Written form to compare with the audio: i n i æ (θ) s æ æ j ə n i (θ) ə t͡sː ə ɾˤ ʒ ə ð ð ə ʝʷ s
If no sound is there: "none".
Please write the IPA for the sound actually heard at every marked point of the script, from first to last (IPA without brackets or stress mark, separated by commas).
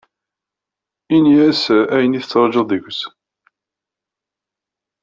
none, θ